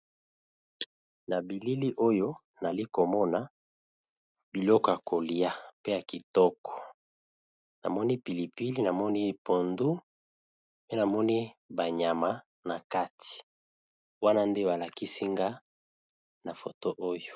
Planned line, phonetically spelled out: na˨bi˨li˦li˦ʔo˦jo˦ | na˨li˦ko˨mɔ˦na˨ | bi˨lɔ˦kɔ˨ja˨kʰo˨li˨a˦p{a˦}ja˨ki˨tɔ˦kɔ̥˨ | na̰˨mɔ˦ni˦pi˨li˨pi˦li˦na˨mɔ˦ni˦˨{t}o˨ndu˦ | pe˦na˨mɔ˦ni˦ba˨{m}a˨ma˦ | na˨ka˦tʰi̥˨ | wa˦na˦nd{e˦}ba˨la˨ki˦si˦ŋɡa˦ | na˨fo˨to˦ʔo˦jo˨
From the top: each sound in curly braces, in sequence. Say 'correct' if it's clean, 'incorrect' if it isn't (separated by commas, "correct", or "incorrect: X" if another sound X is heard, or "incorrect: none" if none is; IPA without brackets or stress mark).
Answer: incorrect: e˦, incorrect: p, incorrect: ɲ, correct